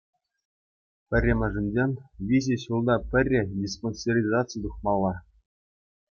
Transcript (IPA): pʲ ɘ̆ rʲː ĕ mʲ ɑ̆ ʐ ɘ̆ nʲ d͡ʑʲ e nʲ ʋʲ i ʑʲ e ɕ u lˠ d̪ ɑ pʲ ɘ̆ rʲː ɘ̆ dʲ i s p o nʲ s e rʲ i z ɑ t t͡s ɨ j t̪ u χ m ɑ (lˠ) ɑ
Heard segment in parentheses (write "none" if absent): lˠː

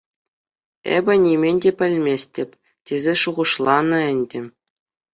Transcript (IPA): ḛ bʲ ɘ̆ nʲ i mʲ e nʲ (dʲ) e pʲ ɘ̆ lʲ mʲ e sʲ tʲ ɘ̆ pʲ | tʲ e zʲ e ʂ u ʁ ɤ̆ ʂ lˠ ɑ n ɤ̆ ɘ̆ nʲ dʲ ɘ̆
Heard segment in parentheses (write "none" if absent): dʲ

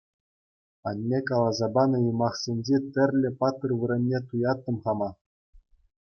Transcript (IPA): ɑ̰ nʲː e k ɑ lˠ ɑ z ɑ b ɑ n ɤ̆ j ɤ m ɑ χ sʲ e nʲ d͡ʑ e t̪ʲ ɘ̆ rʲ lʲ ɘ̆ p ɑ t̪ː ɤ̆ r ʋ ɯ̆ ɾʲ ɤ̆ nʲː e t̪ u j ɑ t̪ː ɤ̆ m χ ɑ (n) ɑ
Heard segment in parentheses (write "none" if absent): m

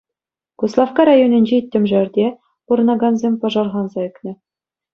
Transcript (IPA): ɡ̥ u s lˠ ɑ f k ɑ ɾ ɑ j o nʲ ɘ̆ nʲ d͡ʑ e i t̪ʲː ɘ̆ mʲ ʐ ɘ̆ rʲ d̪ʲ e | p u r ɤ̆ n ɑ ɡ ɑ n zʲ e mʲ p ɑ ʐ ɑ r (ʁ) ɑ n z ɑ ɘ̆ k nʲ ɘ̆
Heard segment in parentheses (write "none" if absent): ʁ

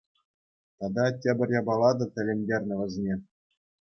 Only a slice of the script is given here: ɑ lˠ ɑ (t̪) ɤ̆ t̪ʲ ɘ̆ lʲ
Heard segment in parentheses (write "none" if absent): d̪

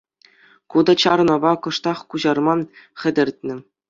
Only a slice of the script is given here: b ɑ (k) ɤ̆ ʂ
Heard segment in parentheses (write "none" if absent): k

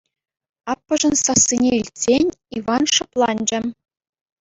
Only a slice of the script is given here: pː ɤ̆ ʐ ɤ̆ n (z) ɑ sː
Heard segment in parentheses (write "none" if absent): s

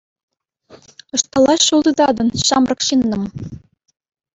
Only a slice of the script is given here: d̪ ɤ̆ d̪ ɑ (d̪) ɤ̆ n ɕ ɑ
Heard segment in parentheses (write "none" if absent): d̪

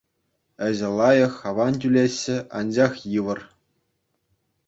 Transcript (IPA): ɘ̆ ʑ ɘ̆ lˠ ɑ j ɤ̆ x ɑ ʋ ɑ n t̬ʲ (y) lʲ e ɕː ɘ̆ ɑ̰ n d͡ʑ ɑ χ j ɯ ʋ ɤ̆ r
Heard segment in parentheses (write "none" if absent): y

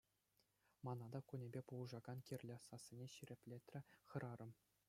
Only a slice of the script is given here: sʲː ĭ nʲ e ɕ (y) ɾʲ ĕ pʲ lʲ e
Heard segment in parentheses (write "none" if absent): i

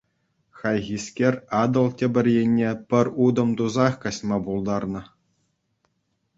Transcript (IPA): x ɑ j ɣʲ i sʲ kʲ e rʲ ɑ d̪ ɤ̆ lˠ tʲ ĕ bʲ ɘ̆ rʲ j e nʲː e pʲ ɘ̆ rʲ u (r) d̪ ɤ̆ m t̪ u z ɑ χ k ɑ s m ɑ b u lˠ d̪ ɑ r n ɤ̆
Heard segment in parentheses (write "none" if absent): none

